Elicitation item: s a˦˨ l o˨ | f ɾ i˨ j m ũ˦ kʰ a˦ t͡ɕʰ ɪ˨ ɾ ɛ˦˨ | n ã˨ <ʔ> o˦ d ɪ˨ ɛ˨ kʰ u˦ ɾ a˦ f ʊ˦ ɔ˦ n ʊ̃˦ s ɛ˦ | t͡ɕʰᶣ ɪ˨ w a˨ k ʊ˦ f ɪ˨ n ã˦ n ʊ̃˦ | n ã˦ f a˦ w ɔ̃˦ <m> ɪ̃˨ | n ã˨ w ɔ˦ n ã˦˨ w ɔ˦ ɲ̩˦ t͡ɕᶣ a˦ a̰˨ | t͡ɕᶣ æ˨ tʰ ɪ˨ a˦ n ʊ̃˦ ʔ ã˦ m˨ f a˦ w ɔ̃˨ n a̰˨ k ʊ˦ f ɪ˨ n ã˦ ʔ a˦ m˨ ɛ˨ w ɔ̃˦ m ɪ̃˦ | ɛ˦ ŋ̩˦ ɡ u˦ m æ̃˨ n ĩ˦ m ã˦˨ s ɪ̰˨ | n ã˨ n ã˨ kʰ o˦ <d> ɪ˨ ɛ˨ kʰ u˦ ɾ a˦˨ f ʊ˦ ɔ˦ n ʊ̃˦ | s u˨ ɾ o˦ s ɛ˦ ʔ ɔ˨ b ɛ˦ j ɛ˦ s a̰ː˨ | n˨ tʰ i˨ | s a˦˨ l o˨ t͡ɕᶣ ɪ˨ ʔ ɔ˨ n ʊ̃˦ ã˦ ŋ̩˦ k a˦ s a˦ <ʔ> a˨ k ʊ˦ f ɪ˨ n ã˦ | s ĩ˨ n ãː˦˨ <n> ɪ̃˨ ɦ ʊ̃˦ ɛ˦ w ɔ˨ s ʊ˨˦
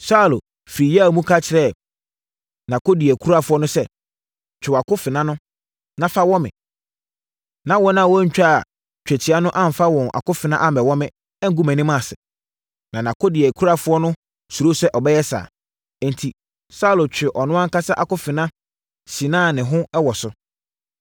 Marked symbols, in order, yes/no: no, yes, yes, yes, yes

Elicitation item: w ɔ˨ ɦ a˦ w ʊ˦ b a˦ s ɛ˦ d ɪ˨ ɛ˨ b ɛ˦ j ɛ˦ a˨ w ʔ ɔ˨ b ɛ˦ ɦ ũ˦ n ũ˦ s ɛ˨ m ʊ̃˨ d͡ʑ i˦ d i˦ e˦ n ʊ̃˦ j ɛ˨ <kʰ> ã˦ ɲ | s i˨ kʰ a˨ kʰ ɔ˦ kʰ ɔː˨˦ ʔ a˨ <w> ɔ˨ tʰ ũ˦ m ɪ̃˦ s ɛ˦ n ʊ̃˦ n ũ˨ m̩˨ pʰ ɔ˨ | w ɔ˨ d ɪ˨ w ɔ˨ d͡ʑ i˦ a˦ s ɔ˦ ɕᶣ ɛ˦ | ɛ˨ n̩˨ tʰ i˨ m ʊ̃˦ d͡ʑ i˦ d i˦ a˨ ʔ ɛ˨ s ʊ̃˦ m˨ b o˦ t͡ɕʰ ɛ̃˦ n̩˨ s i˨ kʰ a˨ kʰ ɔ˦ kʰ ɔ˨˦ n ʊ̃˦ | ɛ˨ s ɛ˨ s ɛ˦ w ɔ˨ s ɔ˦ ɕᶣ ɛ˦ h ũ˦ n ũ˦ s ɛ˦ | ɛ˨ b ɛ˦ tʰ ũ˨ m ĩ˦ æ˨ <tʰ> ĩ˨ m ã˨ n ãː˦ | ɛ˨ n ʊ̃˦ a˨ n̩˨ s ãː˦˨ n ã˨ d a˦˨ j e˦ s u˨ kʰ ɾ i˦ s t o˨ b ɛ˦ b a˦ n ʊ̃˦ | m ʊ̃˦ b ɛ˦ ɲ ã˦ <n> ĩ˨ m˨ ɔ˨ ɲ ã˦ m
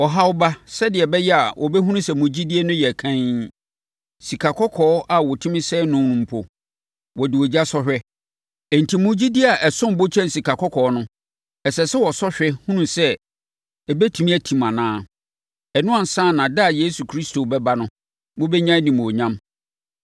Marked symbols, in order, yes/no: yes, yes, yes, yes

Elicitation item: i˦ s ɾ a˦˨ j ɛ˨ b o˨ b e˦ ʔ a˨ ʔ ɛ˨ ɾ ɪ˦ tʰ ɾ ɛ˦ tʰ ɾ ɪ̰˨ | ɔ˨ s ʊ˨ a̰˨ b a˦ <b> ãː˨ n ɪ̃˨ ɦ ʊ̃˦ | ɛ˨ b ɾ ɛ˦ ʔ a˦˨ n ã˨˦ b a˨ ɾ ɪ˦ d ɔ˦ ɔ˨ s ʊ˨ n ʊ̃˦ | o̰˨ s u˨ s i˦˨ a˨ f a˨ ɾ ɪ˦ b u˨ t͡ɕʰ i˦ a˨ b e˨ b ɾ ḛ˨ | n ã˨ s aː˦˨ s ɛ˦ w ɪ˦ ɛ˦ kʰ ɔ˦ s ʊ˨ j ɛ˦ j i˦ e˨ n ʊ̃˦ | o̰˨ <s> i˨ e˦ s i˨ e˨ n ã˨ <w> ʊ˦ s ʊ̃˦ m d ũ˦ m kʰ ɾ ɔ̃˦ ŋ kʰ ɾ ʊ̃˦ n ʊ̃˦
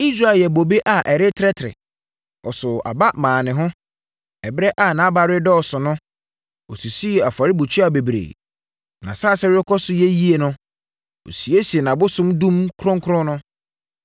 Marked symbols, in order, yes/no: no, yes, no

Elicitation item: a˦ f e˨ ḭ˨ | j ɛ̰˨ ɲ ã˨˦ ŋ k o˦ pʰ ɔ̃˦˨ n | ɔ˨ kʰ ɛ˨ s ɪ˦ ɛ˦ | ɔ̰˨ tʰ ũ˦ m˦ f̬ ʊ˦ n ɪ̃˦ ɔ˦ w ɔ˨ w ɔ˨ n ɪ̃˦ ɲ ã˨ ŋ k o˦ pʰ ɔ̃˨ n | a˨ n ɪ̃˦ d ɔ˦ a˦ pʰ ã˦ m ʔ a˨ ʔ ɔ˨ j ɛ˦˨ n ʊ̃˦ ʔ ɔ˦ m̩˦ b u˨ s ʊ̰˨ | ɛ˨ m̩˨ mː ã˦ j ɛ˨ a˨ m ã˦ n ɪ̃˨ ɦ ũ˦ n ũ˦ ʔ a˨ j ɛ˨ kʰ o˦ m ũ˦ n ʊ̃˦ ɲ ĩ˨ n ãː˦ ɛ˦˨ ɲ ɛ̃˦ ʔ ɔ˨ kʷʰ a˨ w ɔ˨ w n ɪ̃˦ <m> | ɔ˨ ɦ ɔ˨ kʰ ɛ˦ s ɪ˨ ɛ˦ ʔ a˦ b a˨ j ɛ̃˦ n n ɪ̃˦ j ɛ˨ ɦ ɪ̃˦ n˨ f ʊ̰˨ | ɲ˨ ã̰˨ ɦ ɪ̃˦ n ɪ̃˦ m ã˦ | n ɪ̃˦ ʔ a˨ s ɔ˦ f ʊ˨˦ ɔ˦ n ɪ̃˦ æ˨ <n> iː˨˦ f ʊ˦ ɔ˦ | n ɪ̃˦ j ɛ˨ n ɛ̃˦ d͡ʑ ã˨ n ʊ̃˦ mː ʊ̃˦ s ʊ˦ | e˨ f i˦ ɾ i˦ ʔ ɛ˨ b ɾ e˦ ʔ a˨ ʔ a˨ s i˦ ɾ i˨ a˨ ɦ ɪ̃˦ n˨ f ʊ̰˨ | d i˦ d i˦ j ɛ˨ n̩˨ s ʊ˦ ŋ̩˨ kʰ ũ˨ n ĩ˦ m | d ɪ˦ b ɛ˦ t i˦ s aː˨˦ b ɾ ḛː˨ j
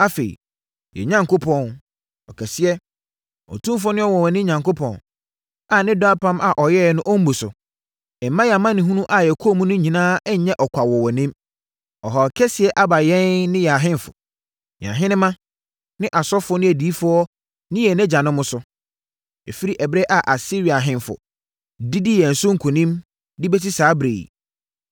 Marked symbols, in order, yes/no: yes, no

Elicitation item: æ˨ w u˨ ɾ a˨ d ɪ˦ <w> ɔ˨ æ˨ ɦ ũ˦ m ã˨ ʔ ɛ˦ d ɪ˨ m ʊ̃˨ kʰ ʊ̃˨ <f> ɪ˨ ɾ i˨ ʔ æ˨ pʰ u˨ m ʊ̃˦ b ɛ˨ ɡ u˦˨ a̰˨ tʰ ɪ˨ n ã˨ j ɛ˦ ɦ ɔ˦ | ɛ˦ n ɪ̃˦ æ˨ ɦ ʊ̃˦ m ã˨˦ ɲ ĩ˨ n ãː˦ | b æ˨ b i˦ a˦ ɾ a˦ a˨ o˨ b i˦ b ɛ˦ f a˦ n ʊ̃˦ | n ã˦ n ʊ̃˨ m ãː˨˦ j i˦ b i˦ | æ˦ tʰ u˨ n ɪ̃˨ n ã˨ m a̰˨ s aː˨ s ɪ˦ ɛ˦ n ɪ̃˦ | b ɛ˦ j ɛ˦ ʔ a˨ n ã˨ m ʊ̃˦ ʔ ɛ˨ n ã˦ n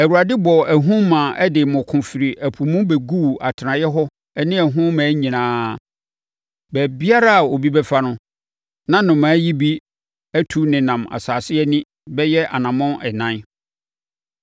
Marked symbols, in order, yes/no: no, yes

